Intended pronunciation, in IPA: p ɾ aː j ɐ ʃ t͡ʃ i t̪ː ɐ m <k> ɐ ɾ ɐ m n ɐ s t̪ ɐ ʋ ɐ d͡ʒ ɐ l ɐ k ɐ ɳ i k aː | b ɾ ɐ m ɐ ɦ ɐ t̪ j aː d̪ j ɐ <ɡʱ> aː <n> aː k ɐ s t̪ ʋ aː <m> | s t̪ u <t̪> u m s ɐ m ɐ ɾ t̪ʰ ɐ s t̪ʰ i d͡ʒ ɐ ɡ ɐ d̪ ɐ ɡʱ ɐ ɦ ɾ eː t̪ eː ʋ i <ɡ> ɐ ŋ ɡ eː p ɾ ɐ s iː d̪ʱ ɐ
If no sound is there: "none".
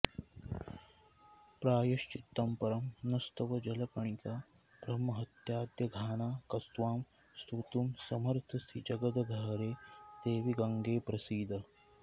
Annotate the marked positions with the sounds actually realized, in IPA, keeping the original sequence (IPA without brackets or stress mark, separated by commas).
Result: p, ɡʱ, n, m, t̪, ɡ